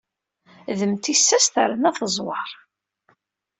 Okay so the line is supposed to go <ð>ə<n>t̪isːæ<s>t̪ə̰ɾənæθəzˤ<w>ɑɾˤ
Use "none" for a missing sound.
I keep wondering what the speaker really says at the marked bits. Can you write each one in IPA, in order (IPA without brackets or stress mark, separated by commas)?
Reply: ð, m, s, w